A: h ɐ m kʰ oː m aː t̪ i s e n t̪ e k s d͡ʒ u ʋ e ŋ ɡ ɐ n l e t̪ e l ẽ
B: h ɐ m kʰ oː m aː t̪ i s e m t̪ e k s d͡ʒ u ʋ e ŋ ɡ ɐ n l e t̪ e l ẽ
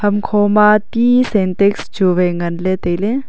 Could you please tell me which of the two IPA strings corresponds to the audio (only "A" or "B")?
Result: A